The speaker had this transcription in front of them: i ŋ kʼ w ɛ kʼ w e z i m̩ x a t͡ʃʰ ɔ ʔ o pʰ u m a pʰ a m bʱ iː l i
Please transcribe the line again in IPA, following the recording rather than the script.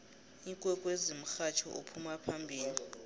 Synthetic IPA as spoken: i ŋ kʼ w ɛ kʼ w e z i m̩ x a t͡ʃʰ ɔ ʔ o pʰ u m a pʰ a m bʱ iː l i

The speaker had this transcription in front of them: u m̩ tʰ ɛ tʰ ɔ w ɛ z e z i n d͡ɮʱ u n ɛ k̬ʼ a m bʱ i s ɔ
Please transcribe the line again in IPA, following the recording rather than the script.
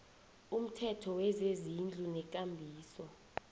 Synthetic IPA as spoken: u m̩ tʰ ɛ tʰ ɔ w ɛ z e z i n d͡ɮʱ u n ɛ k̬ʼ a m bʱ iː s ɔ

